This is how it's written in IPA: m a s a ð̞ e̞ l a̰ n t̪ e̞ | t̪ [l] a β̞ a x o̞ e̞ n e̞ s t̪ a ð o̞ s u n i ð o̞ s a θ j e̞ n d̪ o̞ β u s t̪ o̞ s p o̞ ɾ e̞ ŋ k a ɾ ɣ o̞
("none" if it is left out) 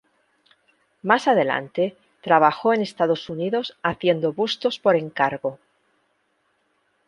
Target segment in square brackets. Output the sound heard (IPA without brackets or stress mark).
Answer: ɾ